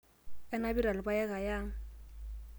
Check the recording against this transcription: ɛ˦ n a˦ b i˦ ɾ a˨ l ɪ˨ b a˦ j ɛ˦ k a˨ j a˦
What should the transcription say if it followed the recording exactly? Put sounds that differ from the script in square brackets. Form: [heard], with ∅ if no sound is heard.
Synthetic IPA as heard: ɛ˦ n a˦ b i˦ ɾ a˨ l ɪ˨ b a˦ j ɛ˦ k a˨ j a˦